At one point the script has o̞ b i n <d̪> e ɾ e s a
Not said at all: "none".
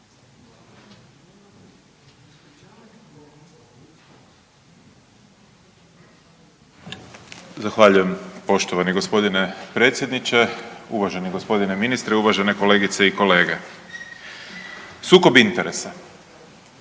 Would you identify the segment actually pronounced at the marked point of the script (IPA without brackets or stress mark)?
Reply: t̪